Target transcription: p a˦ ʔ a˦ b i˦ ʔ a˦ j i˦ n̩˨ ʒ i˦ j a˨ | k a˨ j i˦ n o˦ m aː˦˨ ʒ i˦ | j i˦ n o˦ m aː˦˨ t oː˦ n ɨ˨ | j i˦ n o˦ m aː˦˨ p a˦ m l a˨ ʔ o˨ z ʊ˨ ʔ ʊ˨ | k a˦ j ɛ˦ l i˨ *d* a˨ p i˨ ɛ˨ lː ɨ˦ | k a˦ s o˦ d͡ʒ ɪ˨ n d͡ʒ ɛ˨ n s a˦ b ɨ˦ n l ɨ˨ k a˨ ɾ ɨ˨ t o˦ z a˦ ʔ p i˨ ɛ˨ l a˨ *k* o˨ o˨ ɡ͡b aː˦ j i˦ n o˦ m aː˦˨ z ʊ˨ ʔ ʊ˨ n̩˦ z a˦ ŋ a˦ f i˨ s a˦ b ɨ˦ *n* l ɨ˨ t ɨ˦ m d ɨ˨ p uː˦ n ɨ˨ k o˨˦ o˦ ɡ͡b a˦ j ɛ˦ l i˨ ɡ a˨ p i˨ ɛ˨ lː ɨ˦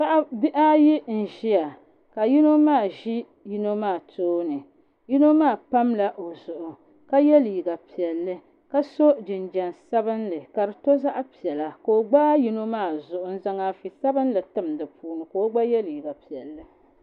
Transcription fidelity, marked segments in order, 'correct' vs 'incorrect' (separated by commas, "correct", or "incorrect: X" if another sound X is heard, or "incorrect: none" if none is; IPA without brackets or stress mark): incorrect: ɡ, correct, correct